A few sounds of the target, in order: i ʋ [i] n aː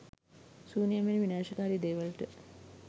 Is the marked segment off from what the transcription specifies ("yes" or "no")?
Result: no